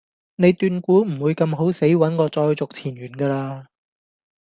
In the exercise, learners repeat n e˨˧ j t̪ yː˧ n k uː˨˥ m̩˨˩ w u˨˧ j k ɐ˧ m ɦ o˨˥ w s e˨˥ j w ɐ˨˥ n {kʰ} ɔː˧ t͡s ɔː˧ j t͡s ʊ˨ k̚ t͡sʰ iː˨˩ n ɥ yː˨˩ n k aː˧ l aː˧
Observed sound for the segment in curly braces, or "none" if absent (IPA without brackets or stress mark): k